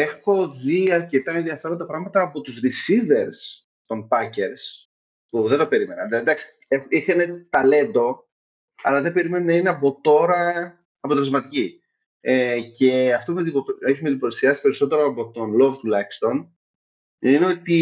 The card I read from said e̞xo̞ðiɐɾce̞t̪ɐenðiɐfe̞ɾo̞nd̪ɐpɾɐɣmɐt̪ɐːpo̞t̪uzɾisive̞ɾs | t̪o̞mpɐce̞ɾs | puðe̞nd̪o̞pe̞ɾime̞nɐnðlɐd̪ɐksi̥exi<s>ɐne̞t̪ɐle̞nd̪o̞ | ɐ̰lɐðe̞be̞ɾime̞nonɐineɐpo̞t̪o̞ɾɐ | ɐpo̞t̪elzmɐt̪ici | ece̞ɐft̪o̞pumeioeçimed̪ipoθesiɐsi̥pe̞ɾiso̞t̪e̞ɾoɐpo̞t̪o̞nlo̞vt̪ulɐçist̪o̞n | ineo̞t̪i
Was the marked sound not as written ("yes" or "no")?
yes